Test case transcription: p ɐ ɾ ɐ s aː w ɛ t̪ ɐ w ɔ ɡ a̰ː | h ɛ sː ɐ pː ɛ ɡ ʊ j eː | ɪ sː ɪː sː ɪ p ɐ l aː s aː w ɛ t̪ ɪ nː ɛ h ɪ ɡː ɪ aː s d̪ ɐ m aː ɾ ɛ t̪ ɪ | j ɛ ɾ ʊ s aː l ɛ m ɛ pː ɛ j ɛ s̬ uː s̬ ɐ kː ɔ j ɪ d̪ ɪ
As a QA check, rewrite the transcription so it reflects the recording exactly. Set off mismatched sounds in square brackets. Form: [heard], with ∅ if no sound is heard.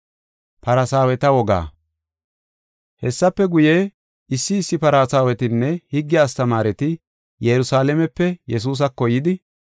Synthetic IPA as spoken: p ɐ ɾ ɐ s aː w ɛ t̪ ɐ w ɔ ɡ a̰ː | h ɛ sː ɐ pː ɛ ɡ ʊ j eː | ɪ sː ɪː sː ɪ p ɐ [ɾ] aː s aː w ɛ t̪ ɪ nː ɛ h ɪ ɡː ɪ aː s [t̪] ɐ m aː ɾ ɛ t̪ ɪ | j ɛ ɾ ʊ s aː l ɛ m ɛ pː ɛ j ɛ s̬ uː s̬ ɐ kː ɔ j ɪ d̪ ɪ